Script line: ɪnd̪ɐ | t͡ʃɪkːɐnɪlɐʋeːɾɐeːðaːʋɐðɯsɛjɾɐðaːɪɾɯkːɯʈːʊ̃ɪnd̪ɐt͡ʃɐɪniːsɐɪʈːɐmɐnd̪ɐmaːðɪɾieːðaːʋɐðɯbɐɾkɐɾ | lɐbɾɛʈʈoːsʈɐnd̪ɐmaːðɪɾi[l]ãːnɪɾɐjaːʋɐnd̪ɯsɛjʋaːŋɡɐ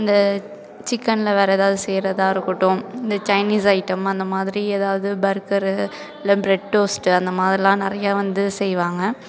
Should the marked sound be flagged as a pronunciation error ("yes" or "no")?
no